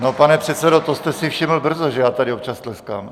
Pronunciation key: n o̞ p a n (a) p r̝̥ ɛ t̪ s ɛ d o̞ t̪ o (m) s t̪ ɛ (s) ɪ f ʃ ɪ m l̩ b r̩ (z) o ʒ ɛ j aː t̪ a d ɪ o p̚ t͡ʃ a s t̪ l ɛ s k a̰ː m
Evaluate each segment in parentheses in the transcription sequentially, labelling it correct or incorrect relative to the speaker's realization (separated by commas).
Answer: incorrect, incorrect, correct, correct